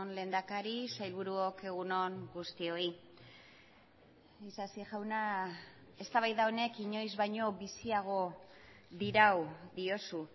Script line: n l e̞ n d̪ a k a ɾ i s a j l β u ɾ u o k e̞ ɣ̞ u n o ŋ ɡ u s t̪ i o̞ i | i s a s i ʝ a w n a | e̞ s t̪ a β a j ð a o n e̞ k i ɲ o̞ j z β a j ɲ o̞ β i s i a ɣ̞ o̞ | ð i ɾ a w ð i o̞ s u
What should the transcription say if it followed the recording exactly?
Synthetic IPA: n l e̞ n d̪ a k a ɾ i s a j l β u ɾ u o k e̞ ɣ̞ u n o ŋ ɡ u s t̪ i o̞ i | i s a s i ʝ a w n a | e̞ s t̪ a β a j ð a o n e̞ k i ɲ o̞ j z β a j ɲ o̞ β i s i a ɣ̞ o̞ | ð i ɾ a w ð i o̞ s u